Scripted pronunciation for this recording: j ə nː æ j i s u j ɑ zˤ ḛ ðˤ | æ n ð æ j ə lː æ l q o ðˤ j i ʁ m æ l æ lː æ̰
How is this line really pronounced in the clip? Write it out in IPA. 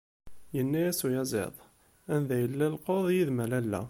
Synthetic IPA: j ə nː æ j æ s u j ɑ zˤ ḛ ðˤ | æ n ð æ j ə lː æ l q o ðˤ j i ð m æ l æ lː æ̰